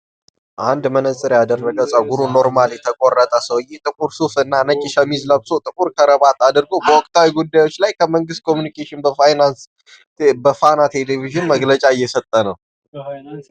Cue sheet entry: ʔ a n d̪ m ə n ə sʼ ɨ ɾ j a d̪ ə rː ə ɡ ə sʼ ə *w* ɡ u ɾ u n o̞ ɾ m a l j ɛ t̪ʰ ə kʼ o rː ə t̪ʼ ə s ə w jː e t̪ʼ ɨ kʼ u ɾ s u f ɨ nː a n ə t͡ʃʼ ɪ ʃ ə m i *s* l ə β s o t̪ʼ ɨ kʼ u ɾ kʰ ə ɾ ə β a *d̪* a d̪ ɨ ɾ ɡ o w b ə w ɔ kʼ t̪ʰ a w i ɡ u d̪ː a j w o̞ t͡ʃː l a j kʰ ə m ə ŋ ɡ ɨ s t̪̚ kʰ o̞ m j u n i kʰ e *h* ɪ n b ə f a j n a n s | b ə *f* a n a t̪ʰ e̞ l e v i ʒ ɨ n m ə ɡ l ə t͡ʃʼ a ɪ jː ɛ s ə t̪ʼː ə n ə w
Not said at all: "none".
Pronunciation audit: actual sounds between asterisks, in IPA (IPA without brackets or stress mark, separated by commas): w, z, t̪, ʃ, f